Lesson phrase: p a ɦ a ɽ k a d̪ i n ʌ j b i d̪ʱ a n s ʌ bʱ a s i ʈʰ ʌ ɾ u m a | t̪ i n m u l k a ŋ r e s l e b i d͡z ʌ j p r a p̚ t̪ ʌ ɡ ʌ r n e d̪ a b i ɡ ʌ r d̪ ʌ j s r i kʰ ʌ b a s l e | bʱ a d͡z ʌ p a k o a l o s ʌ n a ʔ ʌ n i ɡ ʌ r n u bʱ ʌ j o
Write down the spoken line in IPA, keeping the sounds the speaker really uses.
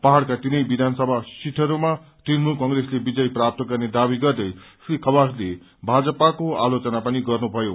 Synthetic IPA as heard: p a ɦ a ɽ k a t̪ i n ʌ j b i d̪ʱ a n s ʌ bʱ a s i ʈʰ ʌ ɾ u m a | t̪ i n m u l k ʌ ŋ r e s l e b i d͡z ʌ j p r a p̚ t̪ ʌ ɡ ʌ r n e d̪ a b i ɡ ʌ r d̪ ʌ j s r i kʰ ʌ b a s l e | bʱ a d͡z ʌ p a k o a l o t͡s ʌ n a p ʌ n i ɡ ʌ r n u bʱ ʌ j o

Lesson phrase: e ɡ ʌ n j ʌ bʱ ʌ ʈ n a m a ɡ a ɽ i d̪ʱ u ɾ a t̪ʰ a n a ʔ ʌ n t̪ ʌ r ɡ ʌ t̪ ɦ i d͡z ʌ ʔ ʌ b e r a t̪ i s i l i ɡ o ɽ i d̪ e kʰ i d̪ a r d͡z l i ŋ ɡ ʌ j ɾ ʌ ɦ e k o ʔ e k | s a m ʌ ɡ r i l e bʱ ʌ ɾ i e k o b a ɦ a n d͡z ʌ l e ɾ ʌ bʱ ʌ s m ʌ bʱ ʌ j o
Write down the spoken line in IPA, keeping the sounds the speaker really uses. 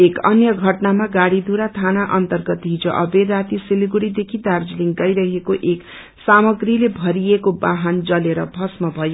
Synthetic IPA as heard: e k ʌ n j ʌ ɡʱ ʌ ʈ n a m a ɡ a ɽ i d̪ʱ u ɾ a t̪ʰ a n a ʔ ʌ n t̪ ʌ r ɡ ʌ t̪ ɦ i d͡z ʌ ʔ ʌ b e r a t̪ i s i l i ɡ u ɽ i d̪ e kʰ i d̪ a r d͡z l i ŋ ɡ ʌ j ɾ ʌ ɦ e k o ʔ e k | s a m ʌ ɡ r i l e bʱ ʌ ɾ i e k o b a ɦ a n d͡z ʌ l e ɾ ʌ bʱ ʌ s m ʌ bʱ ʌ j o

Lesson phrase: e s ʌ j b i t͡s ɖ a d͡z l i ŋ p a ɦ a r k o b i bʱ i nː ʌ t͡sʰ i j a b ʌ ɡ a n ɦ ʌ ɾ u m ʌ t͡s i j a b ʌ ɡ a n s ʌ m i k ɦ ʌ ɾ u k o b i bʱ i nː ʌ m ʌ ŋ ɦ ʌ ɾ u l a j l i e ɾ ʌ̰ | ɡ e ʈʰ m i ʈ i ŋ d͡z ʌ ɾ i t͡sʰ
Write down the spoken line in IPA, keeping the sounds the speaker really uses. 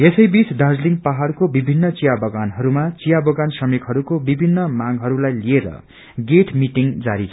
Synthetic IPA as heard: e s ʌ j b i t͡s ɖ a d͡z l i ŋ p a ɦ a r k o b i bʱ i nː ʌ t͡s i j a b ʌ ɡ a n ɦ ʌ ɾ u m a t͡s i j a b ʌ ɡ a n s ʌ m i k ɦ ʌ ɾ u k o b i bʱ i nː ʌ m a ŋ ɦ ʌ ɾ u l a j l i e ɾ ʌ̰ | ɡ e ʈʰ m i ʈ i ŋ d͡z a ɾ i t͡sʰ

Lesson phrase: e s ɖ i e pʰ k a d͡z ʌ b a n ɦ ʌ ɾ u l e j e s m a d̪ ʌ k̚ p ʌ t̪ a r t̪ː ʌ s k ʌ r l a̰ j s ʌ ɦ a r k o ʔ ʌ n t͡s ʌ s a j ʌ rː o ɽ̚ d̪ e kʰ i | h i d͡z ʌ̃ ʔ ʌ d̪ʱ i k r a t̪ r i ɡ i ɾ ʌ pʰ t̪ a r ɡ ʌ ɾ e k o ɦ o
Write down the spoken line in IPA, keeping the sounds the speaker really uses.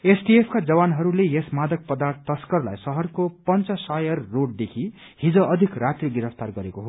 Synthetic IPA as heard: e s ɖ i e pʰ k a d͡z ʌ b a n ɦ ʌ ɾ u l e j e s m a d̪ ʌ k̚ p ʌ d̪ a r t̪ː ʌ s k ʌ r l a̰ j s ʌ ɦ ʌ r k o p ʌ n t͡s ʌ s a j ʌ rː o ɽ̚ d̪ e kʰ i | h i d͡z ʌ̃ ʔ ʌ d̪ʱ i k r a t̪ r i ɡ i ɾ ʌ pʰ t̪ a r ɡ ʌ ɾ e k o ɦ o

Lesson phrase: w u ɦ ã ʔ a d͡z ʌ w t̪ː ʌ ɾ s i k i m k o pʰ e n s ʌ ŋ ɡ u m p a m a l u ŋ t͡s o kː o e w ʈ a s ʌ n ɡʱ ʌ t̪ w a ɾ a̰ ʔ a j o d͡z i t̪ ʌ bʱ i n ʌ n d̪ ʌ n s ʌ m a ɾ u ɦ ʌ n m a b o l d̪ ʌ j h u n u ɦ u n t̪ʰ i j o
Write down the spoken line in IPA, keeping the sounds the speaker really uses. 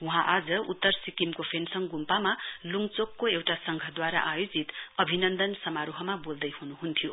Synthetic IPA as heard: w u ɦ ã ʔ a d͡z ʌ u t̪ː ʌ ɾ s i k i m k o pʰ e n s ʌ ŋ ɡ u m p a m a l u ŋ t͡s o kː o e w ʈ a s ʌ ŋ ɡʱ ʌ d̪ w a ɾ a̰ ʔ a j o d͡z i t̪ ʌ bʱ i n ʌ n d̪ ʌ n s ʌ m a ɾ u ɦ ʌ m a b o l d̪ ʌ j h u n u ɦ u n t̪ʰ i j o

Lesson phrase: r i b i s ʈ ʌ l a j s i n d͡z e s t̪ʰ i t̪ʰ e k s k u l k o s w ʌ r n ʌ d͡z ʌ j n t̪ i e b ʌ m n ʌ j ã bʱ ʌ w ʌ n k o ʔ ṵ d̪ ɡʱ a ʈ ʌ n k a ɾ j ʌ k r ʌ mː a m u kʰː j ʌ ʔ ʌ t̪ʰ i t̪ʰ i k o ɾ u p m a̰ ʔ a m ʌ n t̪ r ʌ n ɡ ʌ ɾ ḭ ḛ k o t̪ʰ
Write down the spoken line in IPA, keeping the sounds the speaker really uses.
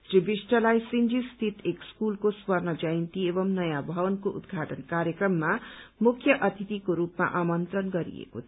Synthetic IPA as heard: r i b i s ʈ ʌ l a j s i n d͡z i s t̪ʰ i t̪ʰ e k s k u l k o s w ʌ r n ʌ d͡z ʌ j n t̪ i e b ʌ m n ʌ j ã bʱ ʌ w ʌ n k o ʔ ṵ d̪ ɡʱ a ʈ ʌ n k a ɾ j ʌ k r ʌ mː a m u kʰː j ʌ ʔ ʌ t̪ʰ i t̪ i k o ɾ u p m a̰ ʔ a m ʌ n t̪ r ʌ n ɡ ʌ ɾ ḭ ḛ k o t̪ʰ

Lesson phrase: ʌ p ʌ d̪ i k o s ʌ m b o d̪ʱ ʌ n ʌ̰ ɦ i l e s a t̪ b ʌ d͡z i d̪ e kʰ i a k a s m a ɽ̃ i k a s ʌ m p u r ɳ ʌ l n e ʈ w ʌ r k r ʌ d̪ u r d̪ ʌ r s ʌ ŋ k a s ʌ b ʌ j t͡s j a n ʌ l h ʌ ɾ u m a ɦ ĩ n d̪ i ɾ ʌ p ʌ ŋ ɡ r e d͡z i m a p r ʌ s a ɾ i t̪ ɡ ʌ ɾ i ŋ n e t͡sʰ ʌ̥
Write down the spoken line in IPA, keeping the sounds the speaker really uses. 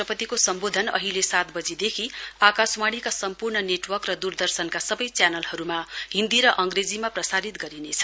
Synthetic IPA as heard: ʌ p ʌ t̪ i k o s ʌ m b o d̪ʱ ʌ n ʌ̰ ɦ i l e s a t̪ b ʌ d͡z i d̪ e kʰ i a k a s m a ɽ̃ i k a s ʌ m p u r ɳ ʌ n e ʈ w ʌ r k r ʌ d̪ u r d̪ ʌ r s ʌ n k a s ʌ b ʌ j t͡s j a n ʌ l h ʌ ɾ u m a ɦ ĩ n d̪ i ɾ ʌ ʔ ʌ ŋ ɡ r e d͡z i m a p r ʌ s a ɾ i t̪ ɡ ʌ ɾ i n e t͡sʰ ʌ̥

